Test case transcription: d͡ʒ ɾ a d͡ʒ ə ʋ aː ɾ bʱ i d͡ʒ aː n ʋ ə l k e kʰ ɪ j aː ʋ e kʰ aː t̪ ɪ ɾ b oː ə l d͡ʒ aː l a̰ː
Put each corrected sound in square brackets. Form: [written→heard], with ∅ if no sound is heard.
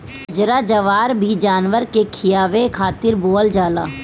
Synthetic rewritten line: d͡ʒ ɾ a d͡ʒ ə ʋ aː ɾ bʱ i d͡ʒ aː n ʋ ə [l→ɾ] k e kʰ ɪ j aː ʋ e kʰ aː t̪ ɪ ɾ b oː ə l d͡ʒ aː l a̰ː

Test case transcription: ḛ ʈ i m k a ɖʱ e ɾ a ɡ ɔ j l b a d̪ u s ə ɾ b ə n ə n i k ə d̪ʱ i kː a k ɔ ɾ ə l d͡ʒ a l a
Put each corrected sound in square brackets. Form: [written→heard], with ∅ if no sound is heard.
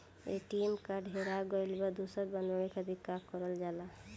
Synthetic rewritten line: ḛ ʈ i m k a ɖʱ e ɾ a ɡ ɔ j l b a d̪ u s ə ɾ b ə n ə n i k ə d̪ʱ i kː a k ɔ ɾ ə l d͡ʒ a l a

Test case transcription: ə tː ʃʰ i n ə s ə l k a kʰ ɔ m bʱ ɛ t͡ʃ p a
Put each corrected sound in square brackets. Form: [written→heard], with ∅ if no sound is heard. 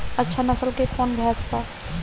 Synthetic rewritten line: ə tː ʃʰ [i→a] n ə s ə l k [a→e] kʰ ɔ [m→n] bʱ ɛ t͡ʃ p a

